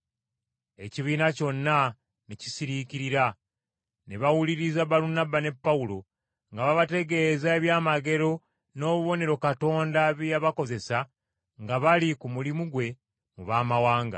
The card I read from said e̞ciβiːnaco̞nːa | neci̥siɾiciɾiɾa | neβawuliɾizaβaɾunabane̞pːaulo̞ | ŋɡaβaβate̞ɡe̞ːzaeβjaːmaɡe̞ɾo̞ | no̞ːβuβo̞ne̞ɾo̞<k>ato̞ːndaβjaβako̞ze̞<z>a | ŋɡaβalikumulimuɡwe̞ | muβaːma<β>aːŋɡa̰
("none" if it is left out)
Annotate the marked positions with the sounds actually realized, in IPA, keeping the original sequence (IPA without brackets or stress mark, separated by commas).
k, s, w